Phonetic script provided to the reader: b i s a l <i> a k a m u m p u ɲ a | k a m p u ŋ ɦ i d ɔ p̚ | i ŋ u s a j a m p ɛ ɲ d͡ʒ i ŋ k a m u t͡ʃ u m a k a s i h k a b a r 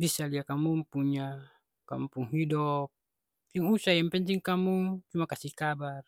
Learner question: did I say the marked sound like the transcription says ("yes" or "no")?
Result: yes